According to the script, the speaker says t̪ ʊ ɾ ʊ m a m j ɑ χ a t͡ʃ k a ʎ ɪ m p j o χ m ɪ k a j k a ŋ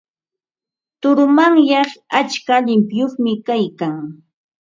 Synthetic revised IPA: t̪ ʊ ɾ ʊ m a ŋ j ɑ χ a t͡ʃ k a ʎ ɪ m p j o χ m ɪ k a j k a ŋ